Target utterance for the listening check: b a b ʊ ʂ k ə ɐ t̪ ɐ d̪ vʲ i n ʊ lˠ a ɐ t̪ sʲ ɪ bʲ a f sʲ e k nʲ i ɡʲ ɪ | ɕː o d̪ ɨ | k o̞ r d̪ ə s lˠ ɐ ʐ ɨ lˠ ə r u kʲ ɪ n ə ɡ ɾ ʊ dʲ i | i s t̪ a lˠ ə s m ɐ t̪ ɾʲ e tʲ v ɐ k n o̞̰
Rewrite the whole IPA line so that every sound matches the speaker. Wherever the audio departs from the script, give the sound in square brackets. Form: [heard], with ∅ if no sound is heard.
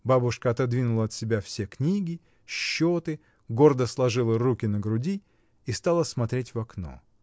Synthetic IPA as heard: b a b ʊ ʂ k ə ɐ t̪ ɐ d̪ vʲ i n ʊ lˠ [ə] ɐ t̪ sʲ ɪ bʲ a f sʲ e k nʲ i ɡʲ ɪ | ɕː o [t̪] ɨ | [ɡ] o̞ r d̪ ə s lˠ ɐ ʐ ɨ lˠ ə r u kʲ ɪ n ə ɡ ɾ ʊ dʲ i | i s t̪ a lˠ ə s m ɐ t̪ ɾʲ e tʲ v ɐ k n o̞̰